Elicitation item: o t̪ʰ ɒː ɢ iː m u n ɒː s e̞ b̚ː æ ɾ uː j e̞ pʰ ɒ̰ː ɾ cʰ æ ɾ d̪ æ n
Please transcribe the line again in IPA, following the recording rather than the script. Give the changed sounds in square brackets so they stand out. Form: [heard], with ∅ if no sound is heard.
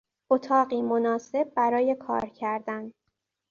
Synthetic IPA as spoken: o t̪ʰ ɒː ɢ iː m [o] n ɒː s e̞ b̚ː æ ɾ [ɒː] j e̞ [kʰ] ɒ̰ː ɾ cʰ æ ɾ d̪ æ n